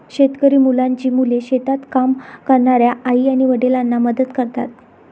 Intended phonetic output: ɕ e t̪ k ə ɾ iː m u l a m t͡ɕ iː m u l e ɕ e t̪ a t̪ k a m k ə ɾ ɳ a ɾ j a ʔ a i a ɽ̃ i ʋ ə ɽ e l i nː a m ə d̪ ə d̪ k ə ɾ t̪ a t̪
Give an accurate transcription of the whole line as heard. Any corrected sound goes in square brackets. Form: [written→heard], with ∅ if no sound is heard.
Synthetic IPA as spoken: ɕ e t̪ k ə ɾ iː m u l a [m→ɲ] t͡ɕ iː m u l e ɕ e t̪ a t̪ k a m k ə ɾ ɳ a ɾ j a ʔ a i a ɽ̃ i ʋ ə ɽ e l [i→a] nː a m ə d̪ ə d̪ k ə ɾ t̪ a t̪